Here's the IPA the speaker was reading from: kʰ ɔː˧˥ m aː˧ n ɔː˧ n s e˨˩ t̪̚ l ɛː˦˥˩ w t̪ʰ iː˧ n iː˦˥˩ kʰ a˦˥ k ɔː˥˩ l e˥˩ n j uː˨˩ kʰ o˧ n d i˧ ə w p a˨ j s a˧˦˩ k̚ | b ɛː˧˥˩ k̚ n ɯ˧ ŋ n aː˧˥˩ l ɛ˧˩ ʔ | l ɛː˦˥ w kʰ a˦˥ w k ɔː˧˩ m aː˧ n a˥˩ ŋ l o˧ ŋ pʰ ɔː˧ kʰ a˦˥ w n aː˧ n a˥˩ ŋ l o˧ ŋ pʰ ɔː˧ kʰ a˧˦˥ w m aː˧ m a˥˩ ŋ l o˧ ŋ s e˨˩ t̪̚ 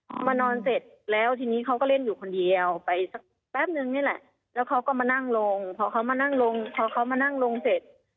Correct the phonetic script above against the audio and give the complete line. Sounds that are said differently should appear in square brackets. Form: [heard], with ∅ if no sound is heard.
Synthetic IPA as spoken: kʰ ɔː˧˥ m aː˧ n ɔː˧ n s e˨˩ t̪̚ l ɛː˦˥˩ w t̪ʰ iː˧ n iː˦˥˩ kʰ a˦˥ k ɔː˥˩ l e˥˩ n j uː˨˩ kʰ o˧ n d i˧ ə w p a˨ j s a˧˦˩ k̚ | b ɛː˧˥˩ [p̚] n ɯ˧ ŋ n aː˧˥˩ l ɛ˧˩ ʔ | l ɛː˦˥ w kʰ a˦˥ w k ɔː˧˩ m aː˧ n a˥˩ ŋ l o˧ ŋ pʰ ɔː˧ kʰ a˦˥ w [m] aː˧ n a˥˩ ŋ l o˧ ŋ pʰ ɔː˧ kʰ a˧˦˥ w m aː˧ [n] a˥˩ ŋ l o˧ ŋ s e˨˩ t̪̚